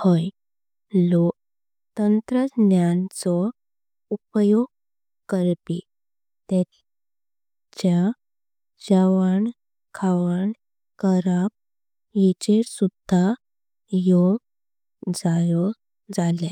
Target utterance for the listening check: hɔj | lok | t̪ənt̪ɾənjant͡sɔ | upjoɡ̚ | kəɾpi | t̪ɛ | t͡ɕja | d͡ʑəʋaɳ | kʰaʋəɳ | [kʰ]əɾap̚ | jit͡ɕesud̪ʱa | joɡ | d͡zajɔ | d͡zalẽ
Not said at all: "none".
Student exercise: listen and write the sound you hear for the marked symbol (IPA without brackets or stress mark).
k